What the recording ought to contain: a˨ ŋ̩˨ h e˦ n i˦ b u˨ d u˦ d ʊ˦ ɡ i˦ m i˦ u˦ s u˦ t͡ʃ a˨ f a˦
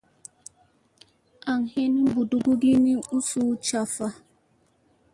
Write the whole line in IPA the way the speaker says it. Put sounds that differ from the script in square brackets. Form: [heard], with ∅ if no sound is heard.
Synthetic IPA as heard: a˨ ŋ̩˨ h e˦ n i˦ b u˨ d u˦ [ɡ] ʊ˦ ɡ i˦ [n] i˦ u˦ s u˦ t͡ʃ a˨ f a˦